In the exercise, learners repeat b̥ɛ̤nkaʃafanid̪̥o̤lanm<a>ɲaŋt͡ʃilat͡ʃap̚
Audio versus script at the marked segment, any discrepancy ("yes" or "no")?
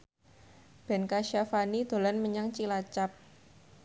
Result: yes